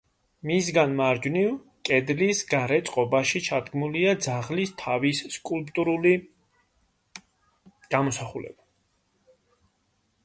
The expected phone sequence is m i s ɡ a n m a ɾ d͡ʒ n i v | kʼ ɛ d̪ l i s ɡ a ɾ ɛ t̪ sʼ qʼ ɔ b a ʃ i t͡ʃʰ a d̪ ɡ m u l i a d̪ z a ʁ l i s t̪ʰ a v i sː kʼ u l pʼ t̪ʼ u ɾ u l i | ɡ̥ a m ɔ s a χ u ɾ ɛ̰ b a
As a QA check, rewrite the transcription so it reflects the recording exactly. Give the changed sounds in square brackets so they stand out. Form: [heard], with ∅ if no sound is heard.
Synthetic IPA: m i s ɡ a n m a ɾ d͡ʒ n i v | kʼ ɛ d̪ l i s ɡ a ɾ ɛ t̪ sʼ qʼ ɔ b a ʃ i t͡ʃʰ a d̪ ɡ m u l i a d̪ z a ʁ l i s t̪ʰ a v i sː kʼ u l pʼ t̪ʼ u ɾ u l i | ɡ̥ a m ɔ s a χ u [l] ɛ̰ b a